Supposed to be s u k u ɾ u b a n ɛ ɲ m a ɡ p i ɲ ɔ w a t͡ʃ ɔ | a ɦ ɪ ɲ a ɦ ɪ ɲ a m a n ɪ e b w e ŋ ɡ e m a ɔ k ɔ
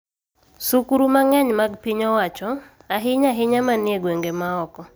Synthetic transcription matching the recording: s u k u ɾ u m a ŋ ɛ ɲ m a ɡ p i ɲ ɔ w a t͡ʃ ɔ | a ɦ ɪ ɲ a ɦ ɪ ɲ a m a n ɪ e ɡ w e ŋ ɡ e m a ɔ k ɔ